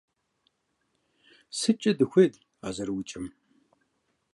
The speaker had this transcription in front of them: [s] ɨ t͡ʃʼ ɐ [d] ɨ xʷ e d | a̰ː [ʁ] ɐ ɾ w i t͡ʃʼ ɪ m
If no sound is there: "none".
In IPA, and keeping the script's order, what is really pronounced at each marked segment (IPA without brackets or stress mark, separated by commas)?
s, d, z